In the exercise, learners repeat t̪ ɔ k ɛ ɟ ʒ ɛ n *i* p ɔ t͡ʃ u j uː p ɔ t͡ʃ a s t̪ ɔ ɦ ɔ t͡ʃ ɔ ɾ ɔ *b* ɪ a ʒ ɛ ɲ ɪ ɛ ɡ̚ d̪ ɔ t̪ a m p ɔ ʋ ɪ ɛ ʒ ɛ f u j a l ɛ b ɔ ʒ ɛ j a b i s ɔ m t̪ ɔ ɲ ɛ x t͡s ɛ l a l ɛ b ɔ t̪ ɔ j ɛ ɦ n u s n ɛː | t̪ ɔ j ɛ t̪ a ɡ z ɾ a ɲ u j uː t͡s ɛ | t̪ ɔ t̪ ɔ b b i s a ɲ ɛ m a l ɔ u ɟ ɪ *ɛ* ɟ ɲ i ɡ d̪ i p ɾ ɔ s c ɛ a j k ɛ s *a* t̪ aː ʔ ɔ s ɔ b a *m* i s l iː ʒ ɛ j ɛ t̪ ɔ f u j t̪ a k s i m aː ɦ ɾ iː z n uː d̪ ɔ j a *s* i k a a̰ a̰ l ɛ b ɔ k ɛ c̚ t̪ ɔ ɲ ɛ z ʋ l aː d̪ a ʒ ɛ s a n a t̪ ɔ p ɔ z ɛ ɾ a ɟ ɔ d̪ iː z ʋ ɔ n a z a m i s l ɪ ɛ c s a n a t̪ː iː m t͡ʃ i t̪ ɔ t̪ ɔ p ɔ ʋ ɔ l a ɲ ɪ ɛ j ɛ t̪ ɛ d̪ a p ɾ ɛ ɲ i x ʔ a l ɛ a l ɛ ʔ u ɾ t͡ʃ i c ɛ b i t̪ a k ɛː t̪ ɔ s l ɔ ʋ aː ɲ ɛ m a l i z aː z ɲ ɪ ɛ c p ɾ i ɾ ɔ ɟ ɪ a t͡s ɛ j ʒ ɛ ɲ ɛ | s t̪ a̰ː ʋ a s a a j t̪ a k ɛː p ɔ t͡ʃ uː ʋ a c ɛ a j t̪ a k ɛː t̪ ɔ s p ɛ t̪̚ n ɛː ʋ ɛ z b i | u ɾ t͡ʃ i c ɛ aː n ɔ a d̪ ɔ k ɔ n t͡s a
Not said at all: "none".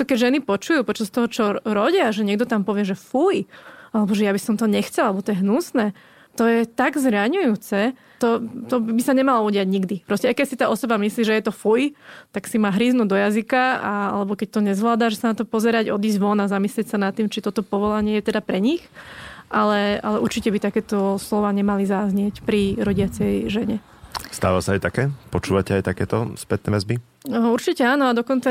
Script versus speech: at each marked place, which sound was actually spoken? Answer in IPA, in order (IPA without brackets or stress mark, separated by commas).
i, ɟ, a, i, m, z